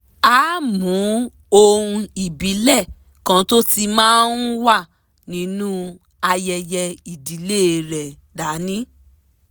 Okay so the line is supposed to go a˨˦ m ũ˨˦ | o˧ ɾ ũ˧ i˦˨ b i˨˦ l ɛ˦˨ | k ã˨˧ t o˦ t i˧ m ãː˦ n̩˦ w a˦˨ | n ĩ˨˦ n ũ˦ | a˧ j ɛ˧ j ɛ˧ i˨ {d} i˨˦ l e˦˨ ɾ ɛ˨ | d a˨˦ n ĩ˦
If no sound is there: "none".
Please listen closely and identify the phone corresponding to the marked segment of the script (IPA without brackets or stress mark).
d